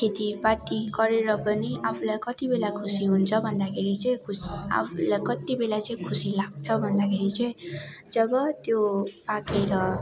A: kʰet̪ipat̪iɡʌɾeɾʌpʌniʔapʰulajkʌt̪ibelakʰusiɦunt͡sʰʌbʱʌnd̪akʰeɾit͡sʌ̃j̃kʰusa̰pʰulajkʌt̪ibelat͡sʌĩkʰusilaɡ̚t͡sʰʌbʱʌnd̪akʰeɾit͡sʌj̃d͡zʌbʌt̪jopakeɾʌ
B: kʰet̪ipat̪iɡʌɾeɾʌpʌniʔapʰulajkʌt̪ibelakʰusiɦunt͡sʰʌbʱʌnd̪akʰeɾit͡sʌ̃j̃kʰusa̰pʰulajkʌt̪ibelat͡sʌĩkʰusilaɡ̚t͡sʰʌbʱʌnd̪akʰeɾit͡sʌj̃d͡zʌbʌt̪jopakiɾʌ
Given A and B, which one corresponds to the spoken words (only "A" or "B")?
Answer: A